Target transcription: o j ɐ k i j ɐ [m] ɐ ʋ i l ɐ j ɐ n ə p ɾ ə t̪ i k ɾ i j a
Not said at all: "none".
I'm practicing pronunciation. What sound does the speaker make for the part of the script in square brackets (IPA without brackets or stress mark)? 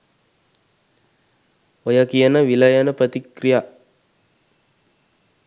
n